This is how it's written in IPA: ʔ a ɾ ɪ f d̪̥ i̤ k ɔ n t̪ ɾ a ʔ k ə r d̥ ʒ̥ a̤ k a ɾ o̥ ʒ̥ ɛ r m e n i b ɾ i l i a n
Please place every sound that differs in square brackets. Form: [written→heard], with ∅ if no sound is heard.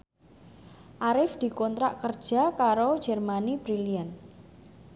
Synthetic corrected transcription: ʔ a ɾ ɪ f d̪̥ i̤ k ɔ n t̪ ɾ a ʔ k ə r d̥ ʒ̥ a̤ k a ɾ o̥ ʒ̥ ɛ r m [e→a] n i b ɾ i l i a n